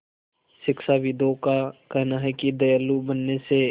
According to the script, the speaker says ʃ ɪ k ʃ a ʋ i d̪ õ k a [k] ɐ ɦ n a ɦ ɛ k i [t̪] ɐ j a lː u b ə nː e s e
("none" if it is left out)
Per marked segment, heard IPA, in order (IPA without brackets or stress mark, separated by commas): k, d̪